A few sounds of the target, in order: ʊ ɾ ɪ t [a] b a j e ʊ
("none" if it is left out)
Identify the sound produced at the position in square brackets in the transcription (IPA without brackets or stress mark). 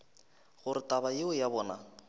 a